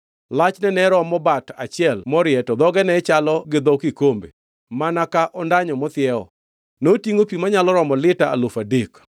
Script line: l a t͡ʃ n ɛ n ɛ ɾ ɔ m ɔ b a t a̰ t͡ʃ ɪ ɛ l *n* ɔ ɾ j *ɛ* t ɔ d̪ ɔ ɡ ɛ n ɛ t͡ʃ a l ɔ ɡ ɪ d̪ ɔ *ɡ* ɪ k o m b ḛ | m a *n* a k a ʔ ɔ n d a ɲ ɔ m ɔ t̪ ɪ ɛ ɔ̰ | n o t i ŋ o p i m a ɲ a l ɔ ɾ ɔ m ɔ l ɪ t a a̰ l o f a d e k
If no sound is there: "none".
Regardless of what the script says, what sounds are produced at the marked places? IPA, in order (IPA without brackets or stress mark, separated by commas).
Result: m, ɛ, k, n